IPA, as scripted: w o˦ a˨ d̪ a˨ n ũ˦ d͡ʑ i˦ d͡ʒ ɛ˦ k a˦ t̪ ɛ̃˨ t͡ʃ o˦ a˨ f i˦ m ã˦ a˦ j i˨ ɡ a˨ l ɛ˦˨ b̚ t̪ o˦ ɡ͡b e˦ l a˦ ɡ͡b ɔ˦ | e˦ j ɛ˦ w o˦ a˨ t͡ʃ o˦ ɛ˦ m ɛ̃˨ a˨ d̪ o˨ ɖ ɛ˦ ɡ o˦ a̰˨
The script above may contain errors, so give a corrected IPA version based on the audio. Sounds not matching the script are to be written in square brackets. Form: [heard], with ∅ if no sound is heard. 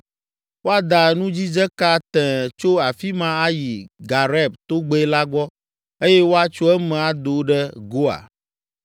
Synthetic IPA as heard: w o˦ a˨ d̪ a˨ n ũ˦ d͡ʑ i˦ d͡ʒ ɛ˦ k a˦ t̪ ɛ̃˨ t͡ʃ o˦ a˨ f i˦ m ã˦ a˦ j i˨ ɡ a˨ [ɾ] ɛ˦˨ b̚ t̪ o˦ ɡ͡b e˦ l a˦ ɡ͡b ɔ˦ | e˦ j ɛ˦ w o˦ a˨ t͡ʃ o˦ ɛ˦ m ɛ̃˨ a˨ d̪ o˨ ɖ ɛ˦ ɡ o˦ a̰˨